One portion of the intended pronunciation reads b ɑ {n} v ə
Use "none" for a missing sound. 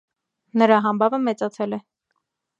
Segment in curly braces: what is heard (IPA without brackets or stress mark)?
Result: none